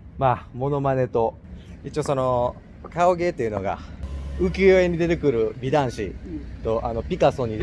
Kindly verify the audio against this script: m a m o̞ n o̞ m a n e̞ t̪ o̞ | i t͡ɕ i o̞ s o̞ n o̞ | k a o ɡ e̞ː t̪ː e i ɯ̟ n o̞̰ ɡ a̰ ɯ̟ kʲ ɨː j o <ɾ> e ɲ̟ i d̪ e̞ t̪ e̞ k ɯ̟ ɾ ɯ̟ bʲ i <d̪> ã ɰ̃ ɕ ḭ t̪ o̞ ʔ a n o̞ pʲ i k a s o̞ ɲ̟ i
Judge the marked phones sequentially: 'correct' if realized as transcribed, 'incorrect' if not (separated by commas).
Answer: incorrect, correct